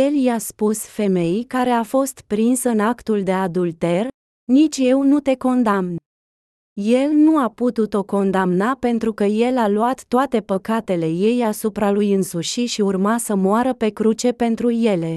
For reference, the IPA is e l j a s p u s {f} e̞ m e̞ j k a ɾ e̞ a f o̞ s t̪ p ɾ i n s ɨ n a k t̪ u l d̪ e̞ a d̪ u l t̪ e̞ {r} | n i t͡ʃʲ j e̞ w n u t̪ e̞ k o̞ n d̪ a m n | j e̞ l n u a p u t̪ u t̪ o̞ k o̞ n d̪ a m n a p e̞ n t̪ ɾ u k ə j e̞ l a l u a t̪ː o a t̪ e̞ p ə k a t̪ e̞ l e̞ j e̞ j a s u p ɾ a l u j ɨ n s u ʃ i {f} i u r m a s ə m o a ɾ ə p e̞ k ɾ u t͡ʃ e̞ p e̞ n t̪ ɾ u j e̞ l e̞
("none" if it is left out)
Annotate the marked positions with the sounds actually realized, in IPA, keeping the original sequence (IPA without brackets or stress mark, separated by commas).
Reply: f, r, ʃ